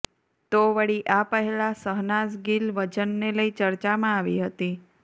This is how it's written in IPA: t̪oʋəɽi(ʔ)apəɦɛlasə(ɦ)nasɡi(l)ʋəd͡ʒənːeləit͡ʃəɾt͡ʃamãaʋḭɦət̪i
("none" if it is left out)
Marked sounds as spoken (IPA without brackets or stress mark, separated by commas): ʔ, ɦ, l